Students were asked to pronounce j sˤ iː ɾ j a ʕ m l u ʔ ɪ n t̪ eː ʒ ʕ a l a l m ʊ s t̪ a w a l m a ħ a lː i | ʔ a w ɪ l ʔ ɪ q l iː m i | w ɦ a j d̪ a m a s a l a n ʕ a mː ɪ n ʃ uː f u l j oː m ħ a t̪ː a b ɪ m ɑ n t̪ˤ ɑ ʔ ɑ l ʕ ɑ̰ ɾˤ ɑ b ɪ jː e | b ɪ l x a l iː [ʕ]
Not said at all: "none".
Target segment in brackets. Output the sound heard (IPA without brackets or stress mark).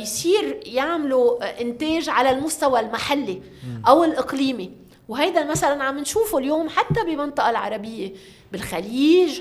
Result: ʒ